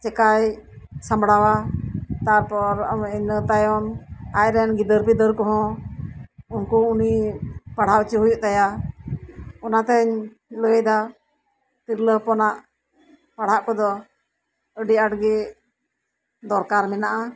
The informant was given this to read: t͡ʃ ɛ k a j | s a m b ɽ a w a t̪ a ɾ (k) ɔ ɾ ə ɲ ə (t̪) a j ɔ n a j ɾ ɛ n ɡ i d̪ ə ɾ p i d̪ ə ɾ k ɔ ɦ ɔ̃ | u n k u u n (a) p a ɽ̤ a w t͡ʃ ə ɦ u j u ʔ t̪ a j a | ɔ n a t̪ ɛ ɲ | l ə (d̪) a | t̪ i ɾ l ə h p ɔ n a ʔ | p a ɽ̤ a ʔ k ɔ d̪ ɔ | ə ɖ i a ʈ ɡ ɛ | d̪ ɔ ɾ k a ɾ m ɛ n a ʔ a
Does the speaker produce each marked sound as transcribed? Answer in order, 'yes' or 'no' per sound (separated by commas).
no, yes, no, yes